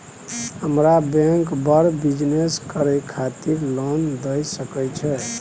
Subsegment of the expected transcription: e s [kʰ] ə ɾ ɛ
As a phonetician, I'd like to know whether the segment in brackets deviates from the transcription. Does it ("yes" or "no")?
yes